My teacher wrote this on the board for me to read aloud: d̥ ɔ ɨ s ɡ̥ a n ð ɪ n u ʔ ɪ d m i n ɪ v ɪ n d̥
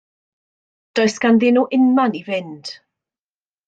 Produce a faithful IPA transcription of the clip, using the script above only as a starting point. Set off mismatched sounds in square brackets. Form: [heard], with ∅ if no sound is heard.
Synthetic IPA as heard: d̥ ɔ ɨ s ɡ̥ a n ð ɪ n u ʔ ɪ [n] m [a] n [i] v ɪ n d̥